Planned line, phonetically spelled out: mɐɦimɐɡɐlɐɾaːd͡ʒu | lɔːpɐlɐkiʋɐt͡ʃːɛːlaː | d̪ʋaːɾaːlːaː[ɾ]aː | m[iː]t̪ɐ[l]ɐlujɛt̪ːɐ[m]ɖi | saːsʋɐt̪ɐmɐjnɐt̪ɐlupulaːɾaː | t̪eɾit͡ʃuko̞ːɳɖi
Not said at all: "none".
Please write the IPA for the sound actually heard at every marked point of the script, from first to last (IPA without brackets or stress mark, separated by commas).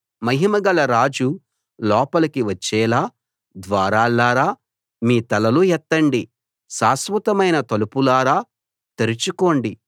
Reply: ɾ, iː, l, ɳ